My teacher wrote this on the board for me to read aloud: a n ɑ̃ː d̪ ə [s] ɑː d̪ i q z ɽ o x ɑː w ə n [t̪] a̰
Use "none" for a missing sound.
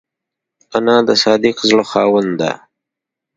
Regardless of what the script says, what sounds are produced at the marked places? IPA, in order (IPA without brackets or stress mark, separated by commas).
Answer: s, d̪